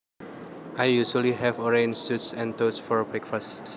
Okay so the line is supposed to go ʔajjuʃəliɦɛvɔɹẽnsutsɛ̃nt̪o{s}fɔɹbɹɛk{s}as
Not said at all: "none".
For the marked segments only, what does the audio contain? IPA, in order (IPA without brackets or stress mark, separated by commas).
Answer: s, f